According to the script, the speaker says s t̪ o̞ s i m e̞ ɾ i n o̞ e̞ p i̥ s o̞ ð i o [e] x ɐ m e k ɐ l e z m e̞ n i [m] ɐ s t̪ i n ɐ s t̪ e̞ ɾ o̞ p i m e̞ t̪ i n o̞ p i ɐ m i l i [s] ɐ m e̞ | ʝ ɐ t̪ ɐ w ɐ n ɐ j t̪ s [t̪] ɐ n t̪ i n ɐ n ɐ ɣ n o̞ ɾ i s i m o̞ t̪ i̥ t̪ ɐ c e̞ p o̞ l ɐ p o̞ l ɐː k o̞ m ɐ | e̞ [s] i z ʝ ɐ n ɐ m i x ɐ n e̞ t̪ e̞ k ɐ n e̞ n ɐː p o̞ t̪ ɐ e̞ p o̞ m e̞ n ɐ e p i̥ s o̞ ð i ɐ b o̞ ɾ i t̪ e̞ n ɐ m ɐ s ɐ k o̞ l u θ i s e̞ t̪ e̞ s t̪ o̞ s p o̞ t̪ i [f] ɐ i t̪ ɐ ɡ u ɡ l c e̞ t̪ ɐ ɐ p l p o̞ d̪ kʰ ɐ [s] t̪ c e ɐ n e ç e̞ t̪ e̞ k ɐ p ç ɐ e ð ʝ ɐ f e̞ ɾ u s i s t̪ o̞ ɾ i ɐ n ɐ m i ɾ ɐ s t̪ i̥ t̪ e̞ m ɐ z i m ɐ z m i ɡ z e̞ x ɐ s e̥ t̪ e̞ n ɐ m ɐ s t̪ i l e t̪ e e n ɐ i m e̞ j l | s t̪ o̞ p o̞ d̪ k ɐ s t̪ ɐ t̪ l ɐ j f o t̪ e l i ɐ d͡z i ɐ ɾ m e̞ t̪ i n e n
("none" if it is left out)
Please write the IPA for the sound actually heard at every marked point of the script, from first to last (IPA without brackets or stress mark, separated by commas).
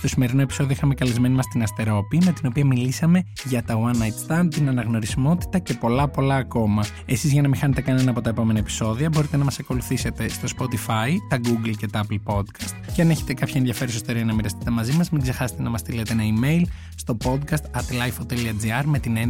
i, m, s, t̪, s, f, s